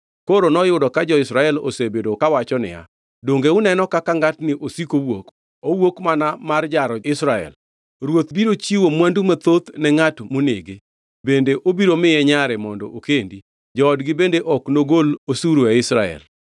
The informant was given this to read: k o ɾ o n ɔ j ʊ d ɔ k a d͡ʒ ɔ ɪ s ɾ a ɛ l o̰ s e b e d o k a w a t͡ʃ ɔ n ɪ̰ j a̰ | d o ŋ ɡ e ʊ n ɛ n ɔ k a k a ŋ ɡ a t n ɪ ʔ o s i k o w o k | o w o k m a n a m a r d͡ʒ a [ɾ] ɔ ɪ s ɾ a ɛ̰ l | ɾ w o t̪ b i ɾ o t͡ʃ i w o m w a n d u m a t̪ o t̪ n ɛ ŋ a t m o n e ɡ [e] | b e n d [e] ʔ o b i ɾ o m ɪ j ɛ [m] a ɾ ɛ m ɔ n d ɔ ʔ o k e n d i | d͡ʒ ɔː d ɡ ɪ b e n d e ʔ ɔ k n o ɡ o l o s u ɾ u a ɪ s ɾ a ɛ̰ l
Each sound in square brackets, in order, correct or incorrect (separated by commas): correct, correct, correct, incorrect